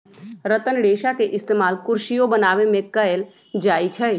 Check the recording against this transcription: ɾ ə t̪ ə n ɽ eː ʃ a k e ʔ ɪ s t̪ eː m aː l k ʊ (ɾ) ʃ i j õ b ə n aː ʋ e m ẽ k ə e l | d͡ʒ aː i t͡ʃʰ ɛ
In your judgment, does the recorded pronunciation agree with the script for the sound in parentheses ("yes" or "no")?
yes